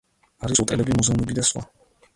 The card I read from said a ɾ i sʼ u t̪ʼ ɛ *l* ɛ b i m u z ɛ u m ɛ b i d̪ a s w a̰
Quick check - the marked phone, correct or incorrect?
correct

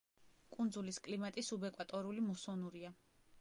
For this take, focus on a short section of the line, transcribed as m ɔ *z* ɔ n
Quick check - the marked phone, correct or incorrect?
incorrect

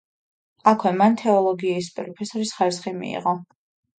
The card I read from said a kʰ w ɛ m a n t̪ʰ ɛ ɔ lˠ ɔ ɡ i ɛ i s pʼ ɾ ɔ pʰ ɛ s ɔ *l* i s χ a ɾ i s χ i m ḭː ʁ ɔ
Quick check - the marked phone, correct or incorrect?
incorrect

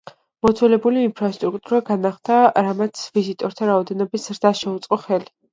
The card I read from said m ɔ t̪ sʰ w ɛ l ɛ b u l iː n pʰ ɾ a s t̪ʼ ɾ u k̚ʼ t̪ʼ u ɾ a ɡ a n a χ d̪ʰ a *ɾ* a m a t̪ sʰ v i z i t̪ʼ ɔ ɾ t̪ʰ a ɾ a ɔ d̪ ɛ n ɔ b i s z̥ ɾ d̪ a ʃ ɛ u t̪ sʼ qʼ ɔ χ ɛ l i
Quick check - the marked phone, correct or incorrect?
correct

